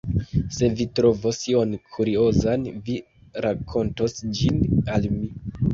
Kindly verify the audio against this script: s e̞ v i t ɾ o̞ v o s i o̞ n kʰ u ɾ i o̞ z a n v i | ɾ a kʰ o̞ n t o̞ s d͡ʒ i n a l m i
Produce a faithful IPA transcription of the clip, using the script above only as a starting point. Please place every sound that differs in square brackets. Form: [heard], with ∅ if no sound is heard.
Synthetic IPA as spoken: s e̞ v i t ɾ o̞ v o s i o̞ n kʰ u ɾ i o̞ z a n v i | ɾ a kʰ o̞ n t o̞ s d͡ʒ i n a l m i